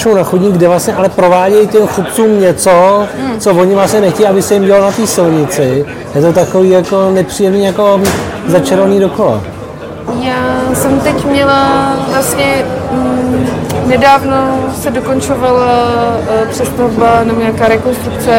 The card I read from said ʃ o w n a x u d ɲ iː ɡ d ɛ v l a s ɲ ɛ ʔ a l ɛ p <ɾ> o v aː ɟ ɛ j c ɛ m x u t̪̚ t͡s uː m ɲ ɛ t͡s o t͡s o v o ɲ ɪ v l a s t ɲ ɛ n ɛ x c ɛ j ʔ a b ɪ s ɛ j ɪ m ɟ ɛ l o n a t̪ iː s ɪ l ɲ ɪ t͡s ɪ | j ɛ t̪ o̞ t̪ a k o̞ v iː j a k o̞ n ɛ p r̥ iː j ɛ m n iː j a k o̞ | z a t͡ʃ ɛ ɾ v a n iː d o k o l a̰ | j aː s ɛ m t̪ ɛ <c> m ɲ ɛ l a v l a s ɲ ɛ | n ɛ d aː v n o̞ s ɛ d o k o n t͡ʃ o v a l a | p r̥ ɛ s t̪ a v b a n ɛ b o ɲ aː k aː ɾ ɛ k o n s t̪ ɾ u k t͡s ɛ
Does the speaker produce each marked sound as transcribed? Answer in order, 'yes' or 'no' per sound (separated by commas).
yes, yes